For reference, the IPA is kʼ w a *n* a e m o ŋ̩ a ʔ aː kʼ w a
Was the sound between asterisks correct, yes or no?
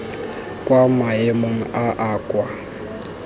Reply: no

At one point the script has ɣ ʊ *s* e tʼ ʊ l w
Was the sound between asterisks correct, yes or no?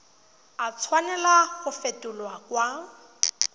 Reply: no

